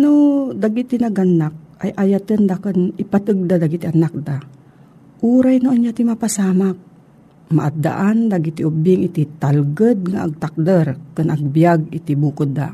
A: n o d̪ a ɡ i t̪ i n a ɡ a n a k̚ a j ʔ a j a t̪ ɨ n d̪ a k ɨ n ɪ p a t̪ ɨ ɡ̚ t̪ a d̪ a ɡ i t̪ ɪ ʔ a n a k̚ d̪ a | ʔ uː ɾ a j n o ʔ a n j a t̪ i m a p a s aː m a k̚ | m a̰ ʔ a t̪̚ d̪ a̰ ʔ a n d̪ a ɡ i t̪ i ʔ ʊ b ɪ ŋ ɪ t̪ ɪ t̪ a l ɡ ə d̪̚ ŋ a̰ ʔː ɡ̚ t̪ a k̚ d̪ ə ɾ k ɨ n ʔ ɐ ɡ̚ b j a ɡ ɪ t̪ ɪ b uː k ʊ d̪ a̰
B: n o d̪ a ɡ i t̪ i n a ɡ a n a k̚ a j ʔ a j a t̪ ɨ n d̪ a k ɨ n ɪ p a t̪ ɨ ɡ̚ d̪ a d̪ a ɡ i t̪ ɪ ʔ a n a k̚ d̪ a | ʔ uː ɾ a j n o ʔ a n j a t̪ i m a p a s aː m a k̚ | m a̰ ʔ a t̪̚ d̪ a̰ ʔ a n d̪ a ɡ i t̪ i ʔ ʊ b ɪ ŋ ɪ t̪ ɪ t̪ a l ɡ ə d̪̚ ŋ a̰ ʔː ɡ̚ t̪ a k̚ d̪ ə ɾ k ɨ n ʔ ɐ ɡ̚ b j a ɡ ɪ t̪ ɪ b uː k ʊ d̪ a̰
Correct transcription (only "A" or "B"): B